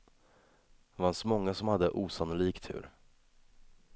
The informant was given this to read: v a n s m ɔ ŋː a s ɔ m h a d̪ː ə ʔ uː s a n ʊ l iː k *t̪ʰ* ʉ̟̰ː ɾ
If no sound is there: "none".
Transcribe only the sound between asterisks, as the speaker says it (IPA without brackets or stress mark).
t̪ʰ